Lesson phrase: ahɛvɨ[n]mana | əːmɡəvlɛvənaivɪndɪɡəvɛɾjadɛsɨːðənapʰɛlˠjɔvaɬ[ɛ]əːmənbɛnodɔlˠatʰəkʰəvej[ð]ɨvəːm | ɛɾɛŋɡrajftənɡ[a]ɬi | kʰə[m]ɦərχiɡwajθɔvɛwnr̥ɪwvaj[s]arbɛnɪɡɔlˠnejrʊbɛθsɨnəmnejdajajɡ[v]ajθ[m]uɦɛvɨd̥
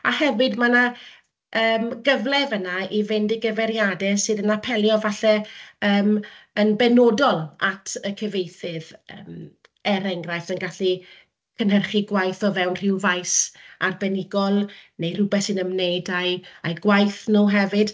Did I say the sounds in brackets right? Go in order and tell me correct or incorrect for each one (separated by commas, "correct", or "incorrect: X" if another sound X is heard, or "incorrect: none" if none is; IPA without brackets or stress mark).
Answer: incorrect: d, correct, incorrect: θ, correct, incorrect: n, correct, incorrect: w, incorrect: n